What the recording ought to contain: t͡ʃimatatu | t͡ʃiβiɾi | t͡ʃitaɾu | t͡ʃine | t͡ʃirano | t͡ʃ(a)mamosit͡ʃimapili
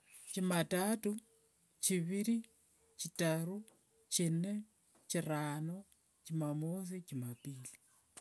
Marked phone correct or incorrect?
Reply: incorrect